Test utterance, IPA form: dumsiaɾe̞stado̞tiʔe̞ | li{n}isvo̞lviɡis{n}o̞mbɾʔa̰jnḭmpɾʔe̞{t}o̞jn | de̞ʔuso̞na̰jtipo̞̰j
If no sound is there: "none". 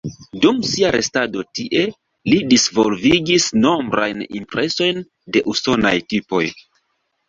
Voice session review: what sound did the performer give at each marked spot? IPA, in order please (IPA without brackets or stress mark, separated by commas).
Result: d, n, s